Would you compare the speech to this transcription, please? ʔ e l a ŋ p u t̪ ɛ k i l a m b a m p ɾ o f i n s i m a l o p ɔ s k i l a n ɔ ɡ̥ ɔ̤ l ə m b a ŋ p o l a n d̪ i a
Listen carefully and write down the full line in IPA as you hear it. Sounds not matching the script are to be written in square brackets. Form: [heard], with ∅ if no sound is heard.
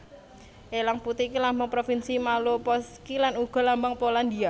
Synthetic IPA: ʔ e l a ŋ p u t̪ [i] k i l a m b a [ŋ] p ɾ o f i n s i m a l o p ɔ s k i l a n [u] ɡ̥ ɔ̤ l [a] m b a ŋ p o l a n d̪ i a